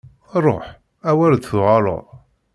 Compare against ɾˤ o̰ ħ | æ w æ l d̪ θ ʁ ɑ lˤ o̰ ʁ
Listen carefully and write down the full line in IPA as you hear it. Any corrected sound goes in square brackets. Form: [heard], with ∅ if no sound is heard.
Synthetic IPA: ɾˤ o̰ ħ | æ w æ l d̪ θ ʁ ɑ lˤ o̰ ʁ